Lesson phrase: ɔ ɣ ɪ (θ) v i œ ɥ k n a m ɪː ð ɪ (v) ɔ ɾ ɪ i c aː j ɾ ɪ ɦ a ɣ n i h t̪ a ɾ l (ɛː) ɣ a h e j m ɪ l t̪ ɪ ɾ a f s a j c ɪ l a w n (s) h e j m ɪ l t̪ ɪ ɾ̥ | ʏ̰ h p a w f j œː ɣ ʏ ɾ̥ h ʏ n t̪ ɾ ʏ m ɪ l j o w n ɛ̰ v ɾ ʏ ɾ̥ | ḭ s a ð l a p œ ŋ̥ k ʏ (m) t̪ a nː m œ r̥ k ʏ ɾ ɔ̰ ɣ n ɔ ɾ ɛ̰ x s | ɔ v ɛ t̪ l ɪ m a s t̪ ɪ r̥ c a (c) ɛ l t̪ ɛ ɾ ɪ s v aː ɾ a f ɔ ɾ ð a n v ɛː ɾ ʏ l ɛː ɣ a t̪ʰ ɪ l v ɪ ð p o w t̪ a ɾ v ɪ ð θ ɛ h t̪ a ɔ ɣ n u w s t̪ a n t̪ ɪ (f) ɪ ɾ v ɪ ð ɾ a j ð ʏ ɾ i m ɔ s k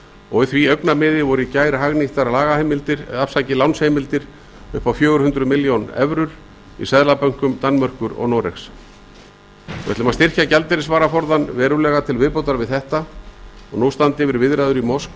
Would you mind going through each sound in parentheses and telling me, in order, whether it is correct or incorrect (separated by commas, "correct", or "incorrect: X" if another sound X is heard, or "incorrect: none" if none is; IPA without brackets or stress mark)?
correct, correct, incorrect: aː, correct, correct, correct, incorrect: v